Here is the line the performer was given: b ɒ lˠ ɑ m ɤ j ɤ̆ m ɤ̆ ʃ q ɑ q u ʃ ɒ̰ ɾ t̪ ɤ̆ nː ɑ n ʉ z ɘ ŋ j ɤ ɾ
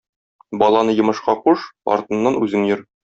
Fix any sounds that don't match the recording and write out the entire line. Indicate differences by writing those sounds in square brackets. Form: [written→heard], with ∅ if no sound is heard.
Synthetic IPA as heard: b ɒ lˠ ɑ [m→n] ɤ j ɤ̆ m ɤ̆ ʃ q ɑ q u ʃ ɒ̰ ɾ t̪ ɤ̆ nː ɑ n ʉ z ɘ ŋ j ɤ ɾ